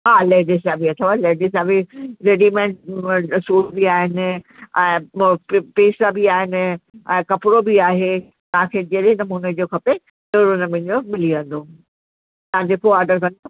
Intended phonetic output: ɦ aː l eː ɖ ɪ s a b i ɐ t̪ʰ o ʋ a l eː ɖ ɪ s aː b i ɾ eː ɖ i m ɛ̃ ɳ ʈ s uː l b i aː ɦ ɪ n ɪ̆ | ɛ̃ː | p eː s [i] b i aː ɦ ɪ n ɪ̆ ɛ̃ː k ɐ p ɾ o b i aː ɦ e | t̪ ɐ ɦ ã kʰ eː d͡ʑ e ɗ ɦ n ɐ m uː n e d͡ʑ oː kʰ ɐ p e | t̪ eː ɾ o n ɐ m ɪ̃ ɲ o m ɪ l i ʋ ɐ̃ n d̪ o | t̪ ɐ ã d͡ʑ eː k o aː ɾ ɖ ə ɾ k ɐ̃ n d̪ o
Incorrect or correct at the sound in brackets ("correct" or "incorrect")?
incorrect